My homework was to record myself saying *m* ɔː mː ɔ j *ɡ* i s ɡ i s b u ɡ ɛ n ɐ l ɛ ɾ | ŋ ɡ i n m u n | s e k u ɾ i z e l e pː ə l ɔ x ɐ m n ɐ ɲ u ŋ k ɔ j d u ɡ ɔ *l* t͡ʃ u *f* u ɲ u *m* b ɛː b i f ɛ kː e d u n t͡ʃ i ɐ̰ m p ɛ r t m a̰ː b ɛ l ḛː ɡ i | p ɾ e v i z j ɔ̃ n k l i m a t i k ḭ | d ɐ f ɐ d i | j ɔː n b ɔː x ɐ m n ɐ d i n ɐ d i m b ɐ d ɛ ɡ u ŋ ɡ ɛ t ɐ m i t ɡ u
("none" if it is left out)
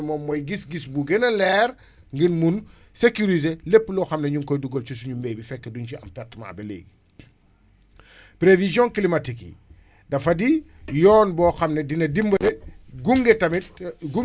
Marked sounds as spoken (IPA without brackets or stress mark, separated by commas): m, ɡ, l, s, m